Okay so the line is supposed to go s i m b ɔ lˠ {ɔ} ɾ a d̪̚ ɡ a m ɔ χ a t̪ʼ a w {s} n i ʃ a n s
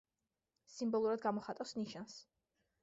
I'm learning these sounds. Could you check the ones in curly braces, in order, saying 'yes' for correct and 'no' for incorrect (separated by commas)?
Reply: no, yes